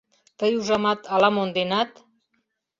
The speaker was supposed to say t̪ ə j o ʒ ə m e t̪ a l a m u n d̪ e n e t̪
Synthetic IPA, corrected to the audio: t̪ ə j u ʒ a m a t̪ a l a m o n d̪ e n a t̪